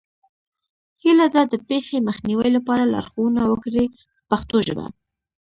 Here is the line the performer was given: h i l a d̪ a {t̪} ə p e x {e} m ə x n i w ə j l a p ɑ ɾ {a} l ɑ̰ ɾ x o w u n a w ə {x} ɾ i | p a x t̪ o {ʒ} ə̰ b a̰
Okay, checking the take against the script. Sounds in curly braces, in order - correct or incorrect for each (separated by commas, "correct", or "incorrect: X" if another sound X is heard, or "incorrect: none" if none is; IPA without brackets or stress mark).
incorrect: d̪, correct, correct, incorrect: k, correct